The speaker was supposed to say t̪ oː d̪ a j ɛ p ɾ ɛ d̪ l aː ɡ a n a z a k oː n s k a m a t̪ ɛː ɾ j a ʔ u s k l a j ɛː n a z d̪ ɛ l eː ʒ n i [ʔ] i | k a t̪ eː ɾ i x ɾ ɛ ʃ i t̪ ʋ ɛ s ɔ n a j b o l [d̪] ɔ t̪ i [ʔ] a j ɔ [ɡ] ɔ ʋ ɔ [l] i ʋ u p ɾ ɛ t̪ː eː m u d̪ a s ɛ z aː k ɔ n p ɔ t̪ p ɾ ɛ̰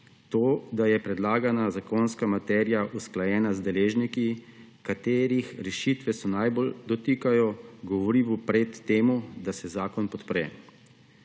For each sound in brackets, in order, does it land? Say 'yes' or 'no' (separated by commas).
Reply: no, yes, no, yes, no